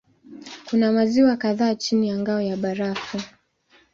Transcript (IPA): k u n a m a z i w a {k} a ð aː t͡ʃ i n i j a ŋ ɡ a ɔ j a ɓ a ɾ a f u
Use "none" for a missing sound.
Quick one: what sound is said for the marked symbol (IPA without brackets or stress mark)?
k